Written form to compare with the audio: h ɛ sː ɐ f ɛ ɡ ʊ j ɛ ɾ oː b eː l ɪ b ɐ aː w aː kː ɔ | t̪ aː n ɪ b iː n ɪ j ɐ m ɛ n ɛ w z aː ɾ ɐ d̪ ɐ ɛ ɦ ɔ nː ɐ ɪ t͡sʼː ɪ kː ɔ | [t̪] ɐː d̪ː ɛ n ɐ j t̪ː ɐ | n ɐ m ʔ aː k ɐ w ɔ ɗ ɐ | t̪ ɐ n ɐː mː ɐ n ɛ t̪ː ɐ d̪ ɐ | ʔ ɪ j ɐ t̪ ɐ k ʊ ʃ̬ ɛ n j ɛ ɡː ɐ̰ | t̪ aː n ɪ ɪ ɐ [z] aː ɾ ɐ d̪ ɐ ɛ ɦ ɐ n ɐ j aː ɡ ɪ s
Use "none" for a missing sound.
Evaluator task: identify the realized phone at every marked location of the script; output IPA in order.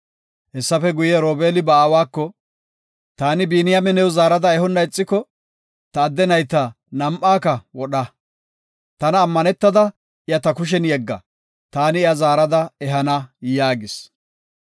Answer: t̪, z

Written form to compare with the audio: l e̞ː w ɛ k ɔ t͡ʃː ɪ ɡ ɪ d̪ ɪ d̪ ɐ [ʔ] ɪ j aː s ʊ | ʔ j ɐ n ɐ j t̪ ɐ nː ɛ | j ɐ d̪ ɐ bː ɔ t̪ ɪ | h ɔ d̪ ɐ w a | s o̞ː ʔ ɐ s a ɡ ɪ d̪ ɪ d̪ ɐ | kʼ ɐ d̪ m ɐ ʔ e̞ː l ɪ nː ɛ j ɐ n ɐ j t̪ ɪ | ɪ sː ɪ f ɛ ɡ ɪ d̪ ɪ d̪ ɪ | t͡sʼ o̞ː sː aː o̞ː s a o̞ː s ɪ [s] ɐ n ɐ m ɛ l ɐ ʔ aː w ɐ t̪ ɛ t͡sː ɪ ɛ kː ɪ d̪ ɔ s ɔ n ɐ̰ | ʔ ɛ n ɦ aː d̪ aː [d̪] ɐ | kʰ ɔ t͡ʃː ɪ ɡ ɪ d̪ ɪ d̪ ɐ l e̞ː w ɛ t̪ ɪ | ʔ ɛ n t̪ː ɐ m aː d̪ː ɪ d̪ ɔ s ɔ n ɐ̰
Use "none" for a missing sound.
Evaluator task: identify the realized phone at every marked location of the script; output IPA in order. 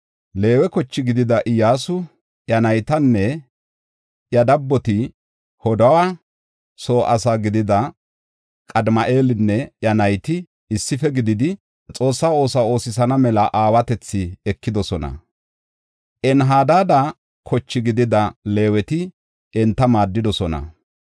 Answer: ʔ, s, d̪

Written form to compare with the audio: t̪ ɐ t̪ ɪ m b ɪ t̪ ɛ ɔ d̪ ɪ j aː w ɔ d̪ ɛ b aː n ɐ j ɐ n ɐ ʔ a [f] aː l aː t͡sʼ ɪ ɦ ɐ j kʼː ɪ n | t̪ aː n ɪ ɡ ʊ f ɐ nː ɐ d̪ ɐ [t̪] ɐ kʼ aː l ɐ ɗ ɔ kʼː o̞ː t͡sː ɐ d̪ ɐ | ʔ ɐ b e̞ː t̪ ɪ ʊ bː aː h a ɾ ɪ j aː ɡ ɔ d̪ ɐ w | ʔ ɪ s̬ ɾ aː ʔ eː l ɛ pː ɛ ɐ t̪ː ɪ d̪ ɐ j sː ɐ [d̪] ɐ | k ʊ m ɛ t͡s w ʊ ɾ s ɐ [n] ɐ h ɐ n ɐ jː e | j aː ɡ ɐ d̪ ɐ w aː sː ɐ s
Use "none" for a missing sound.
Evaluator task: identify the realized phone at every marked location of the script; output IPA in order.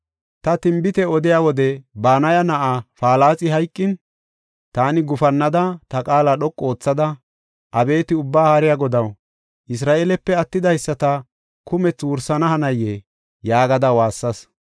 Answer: f, t̪, t̪, n

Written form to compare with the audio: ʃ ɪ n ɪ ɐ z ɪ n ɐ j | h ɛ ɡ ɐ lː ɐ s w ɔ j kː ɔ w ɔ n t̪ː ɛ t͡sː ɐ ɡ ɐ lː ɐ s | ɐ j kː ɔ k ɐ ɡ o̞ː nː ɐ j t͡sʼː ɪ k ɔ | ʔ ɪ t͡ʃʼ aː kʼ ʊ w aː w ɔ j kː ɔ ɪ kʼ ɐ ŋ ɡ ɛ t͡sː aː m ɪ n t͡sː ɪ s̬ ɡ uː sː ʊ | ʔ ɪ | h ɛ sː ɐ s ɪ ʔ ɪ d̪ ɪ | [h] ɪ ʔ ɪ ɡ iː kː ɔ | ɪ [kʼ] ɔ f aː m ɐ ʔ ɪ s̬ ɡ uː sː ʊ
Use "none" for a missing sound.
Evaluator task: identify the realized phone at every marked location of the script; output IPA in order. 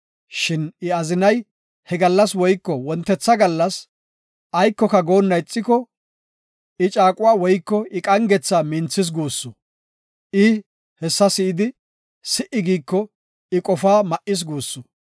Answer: s, kʼ

